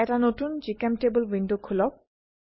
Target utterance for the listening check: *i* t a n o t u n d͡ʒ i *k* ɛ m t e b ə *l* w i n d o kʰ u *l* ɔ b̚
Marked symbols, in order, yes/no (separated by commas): no, yes, yes, yes